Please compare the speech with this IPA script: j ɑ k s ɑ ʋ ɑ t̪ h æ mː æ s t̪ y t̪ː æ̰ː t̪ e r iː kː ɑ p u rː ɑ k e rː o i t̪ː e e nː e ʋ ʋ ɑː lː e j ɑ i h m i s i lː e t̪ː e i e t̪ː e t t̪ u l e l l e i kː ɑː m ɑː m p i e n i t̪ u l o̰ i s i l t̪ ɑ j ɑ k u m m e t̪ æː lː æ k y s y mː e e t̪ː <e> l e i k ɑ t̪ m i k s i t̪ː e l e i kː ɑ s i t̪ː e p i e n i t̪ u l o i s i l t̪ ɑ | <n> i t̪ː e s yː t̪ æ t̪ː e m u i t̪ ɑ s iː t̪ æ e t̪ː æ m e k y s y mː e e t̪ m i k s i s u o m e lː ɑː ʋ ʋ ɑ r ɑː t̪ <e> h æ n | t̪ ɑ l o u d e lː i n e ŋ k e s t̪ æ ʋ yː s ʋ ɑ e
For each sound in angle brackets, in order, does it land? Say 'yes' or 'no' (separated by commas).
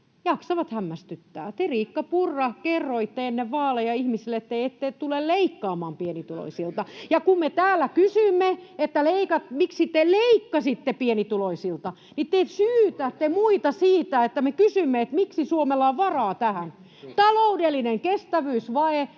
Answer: no, yes, no